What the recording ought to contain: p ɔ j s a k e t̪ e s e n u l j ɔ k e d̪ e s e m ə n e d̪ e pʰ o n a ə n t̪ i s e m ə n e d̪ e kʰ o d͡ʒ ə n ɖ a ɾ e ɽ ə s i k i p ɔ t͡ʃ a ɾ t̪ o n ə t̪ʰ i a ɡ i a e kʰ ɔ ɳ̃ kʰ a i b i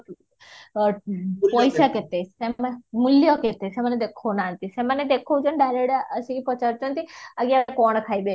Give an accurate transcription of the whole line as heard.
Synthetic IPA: p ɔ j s a k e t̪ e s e m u l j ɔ k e t̪ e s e m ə n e d̪ e kʰ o n a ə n t̪ i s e m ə n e d̪ e kʰ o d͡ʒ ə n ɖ a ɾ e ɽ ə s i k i p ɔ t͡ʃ a ɾ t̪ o n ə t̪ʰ i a ɡ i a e k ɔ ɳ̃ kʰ a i b e